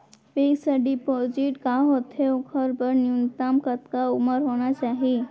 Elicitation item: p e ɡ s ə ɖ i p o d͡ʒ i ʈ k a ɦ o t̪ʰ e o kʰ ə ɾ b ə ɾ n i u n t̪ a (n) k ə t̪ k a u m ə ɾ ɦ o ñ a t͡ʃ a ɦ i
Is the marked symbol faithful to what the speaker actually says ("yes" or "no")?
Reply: no